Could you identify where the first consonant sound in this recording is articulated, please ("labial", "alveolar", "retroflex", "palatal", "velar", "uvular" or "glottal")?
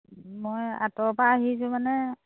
labial